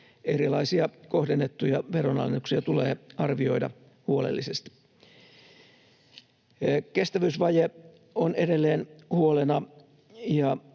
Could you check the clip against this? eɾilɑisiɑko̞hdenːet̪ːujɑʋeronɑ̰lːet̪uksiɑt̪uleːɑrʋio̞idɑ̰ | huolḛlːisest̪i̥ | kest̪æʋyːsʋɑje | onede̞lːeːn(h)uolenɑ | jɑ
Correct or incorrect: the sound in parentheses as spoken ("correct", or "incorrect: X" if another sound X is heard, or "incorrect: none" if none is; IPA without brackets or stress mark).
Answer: correct